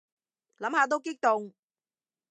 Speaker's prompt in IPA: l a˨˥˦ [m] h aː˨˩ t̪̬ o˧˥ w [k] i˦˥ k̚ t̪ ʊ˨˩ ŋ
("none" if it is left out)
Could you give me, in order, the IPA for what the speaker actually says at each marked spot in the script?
m, k

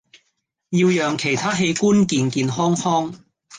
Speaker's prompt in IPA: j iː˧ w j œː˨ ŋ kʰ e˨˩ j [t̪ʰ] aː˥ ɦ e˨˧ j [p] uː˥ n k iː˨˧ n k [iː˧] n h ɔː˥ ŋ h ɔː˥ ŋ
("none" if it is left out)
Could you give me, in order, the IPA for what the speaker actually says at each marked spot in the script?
t̪ʰ, k, iː˧

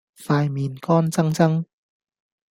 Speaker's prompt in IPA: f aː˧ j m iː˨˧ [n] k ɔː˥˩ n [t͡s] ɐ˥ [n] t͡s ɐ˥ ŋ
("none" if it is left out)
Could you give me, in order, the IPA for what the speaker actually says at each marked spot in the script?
n, t͡s, ŋ

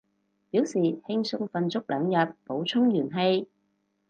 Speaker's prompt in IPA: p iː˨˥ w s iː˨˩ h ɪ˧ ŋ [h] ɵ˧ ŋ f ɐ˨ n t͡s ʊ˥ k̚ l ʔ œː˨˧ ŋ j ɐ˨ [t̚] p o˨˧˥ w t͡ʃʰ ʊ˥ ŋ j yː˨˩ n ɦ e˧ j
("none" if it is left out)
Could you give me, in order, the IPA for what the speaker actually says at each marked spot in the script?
s, t̚

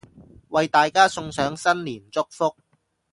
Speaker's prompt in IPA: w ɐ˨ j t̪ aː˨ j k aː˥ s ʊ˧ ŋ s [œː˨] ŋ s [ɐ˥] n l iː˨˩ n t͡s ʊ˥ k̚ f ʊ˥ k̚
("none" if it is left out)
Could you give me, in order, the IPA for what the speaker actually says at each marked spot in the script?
œː˨˥, ɐ˥

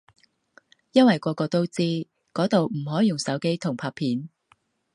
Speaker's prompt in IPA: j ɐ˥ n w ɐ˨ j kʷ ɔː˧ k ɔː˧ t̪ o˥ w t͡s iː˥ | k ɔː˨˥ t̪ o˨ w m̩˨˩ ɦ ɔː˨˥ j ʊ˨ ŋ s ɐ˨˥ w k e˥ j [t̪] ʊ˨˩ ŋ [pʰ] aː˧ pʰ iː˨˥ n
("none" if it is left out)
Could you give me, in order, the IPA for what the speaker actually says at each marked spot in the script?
t̪ʰ, pʰ

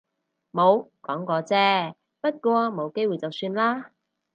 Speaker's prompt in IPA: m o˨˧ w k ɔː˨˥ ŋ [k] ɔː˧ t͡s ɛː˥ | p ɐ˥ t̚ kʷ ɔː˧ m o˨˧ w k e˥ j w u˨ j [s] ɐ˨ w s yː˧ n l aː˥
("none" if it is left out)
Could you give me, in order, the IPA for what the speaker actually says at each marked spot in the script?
k, t͡s

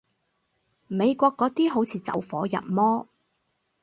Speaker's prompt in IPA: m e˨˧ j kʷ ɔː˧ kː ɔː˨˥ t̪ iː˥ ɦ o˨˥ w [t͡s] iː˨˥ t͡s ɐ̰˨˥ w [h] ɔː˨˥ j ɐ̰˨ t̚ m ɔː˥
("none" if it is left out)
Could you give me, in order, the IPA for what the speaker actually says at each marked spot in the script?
t͡sʰ, f

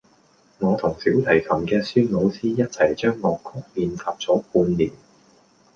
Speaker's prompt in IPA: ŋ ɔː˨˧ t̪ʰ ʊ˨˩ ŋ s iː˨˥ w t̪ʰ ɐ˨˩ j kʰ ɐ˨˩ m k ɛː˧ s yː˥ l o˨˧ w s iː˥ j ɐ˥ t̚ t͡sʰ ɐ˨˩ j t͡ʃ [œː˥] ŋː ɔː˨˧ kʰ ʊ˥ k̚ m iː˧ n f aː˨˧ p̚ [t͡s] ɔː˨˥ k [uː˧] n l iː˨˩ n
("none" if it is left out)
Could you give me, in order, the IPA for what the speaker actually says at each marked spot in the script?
œː˥, t͡s, uː˧

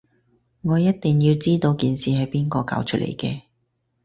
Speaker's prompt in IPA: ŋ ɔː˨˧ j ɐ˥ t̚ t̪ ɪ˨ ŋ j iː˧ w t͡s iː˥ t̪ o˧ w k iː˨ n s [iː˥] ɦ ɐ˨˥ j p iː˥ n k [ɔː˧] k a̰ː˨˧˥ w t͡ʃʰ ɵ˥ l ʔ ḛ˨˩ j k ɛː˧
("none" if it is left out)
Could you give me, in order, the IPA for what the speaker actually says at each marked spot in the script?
iː˨, ɔː˧

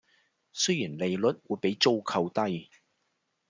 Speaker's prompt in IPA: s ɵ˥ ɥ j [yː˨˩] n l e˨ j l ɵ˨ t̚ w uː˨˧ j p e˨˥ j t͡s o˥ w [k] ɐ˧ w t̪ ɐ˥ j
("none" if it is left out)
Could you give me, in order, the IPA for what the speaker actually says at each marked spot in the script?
iː˨˩, kʰ

